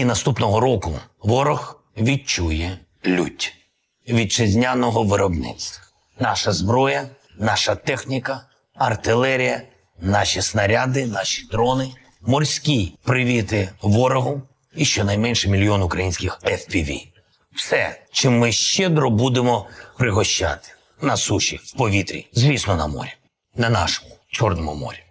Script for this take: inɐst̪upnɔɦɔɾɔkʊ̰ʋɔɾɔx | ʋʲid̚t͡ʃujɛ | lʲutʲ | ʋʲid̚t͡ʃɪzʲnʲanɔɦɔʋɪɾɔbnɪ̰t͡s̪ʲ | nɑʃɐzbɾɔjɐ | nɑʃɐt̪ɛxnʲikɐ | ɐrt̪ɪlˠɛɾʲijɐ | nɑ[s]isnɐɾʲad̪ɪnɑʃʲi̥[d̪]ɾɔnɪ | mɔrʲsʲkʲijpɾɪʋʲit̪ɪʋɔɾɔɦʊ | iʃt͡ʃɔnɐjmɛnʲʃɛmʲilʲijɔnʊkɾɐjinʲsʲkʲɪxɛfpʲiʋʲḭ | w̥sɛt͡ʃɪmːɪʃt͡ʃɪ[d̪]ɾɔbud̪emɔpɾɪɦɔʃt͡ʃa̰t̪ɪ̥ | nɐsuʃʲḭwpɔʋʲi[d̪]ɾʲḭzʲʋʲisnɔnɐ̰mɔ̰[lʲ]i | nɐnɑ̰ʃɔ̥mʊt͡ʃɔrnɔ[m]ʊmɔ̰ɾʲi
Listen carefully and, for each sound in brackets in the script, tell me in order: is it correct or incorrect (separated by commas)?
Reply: incorrect, correct, correct, incorrect, incorrect, correct